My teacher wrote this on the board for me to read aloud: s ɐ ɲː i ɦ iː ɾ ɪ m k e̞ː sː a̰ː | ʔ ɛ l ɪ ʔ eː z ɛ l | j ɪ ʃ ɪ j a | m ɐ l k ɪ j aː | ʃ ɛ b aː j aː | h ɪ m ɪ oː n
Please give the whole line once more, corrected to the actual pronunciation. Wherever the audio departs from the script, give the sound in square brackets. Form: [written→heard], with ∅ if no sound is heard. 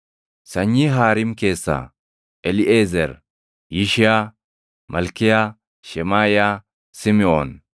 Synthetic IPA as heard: s ɐ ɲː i ɦ [iː→aː] ɾ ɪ m k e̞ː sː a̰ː | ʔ ɛ l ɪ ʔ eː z ɛ [l→ɾ] | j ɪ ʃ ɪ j a | m ɐ l k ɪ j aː | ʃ ɛ [b→m] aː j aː | [h→s] ɪ m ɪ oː n